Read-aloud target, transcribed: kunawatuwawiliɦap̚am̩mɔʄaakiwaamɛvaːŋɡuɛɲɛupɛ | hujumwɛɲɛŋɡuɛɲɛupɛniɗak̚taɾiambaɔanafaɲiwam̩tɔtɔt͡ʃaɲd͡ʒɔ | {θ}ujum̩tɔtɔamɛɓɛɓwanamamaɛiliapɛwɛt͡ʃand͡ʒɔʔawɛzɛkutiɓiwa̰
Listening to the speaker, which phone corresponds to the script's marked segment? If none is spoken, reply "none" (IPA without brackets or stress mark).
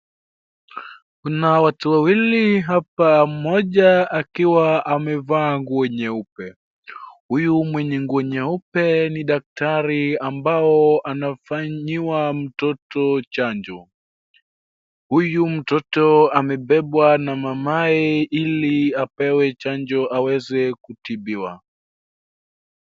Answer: h